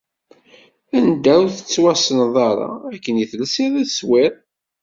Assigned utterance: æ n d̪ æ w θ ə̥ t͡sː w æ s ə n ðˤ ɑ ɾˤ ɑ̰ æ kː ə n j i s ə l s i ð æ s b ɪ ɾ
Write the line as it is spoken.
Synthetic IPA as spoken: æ n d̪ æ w θ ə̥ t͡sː w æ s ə n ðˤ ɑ ɾˤ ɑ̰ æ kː ə n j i θ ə l s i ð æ s w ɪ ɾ